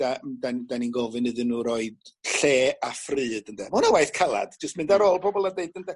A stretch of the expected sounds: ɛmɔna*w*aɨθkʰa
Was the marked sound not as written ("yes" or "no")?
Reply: no